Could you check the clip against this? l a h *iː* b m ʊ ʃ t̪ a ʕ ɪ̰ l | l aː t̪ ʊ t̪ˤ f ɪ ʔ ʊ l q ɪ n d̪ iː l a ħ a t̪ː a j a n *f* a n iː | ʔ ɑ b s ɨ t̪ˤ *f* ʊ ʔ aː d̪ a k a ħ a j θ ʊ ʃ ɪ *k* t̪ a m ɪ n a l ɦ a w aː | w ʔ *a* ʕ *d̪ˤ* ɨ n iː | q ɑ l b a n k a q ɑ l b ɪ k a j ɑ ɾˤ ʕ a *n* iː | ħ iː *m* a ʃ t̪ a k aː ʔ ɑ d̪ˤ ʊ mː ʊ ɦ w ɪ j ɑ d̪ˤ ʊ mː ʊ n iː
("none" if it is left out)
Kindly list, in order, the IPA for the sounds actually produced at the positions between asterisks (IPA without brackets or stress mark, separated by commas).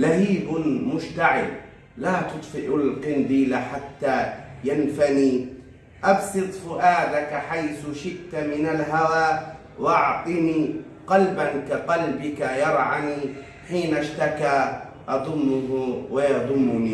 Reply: iː, f, f, ʔ, ɑ, t̪ˤ, n, n